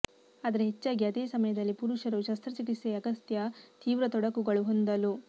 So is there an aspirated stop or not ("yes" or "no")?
no